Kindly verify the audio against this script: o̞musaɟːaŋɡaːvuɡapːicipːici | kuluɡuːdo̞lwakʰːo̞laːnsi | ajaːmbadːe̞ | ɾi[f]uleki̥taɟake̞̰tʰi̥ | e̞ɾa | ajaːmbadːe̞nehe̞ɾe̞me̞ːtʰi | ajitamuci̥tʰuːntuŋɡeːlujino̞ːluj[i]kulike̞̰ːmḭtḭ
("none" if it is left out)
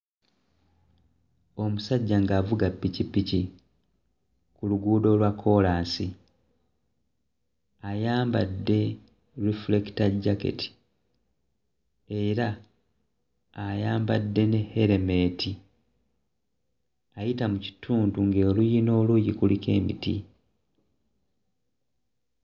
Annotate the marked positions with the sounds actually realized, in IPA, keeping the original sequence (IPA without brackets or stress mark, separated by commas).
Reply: f, i